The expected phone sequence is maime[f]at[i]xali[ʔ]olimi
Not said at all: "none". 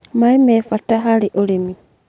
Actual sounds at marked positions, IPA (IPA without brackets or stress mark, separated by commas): f, a, ʔ